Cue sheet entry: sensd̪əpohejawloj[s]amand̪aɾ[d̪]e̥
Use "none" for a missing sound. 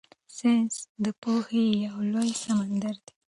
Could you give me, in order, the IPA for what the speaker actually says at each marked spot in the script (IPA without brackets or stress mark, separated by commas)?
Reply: s, d̪